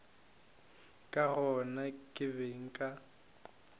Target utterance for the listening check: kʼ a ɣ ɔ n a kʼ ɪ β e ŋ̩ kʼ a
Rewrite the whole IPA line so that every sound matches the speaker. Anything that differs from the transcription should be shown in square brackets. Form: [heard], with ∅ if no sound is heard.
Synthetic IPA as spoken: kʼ a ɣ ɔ n a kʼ ɪ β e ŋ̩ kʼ a